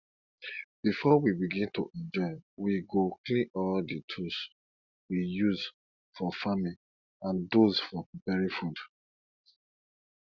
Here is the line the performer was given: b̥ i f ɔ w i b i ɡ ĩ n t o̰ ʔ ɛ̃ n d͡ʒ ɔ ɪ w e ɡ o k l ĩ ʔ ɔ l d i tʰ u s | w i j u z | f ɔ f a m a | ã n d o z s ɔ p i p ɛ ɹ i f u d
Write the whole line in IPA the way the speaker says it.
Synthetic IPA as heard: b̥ i f ɔ w i b i ɡ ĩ n t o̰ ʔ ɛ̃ n d͡ʒ ɔ ɪ w i ɡ o k l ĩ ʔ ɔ l d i tʰ u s | w i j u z | f ɔ f a m i | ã n d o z f ɔ p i p ɛ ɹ i f u d